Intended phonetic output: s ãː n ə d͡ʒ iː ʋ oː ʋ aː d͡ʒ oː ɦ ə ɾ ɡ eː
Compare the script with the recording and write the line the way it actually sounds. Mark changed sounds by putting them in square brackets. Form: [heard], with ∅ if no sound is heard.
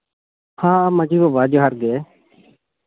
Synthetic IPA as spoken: [h] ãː [m] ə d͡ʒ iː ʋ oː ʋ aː d͡ʒ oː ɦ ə ɾ ɡ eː